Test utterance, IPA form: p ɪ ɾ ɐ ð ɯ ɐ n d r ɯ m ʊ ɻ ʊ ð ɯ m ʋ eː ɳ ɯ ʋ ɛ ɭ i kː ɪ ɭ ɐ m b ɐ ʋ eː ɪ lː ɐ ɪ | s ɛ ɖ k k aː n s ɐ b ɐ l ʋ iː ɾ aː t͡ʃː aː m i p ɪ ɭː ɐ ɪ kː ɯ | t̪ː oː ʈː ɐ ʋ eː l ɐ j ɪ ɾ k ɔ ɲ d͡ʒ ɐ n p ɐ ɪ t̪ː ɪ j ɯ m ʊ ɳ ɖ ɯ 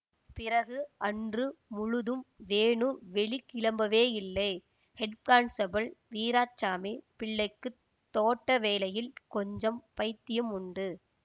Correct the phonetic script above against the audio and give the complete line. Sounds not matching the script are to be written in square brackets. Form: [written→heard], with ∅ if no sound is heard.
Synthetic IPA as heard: p ɪ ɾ ɐ [ð→ɣ] ɯ ɐ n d r ɯ m ʊ ɻ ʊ ð ɯ m ʋ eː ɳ ɯ ʋ ɛ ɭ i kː ɪ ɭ ɐ m b ɐ ʋ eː ɪ lː ɐ ɪ | [s→h] ɛ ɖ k k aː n s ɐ b ɐ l ʋ iː ɾ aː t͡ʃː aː m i p ɪ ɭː ɐ ɪ kː ɯ | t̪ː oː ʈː ɐ ʋ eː l ɐ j ɪ [ɾ→l] k ɔ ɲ d͡ʒ ɐ [n→m] p ɐ ɪ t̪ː ɪ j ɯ m ʊ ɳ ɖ ɯ